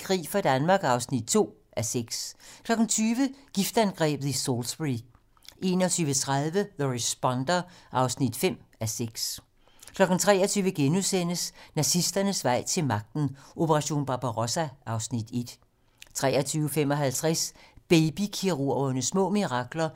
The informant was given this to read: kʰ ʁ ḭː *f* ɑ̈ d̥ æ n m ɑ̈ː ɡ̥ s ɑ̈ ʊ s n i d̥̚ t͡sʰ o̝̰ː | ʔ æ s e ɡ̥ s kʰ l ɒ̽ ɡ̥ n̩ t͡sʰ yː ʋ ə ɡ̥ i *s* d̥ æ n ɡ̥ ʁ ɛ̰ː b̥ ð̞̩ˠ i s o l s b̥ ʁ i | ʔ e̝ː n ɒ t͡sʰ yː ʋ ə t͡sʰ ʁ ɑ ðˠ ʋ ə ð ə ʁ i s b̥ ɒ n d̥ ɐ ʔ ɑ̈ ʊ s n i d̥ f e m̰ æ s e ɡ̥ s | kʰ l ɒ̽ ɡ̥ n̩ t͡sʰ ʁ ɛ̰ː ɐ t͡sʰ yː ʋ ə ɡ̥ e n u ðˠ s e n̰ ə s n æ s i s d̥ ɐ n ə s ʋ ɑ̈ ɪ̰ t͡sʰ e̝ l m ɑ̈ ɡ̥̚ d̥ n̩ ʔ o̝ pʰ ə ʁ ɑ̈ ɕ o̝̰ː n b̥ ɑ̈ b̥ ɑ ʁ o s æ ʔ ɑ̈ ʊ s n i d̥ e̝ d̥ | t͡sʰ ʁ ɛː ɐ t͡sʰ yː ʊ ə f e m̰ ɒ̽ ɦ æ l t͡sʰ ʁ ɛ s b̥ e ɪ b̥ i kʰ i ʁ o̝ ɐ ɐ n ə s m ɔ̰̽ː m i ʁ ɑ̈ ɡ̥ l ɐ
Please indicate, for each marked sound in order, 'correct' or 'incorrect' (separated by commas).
correct, incorrect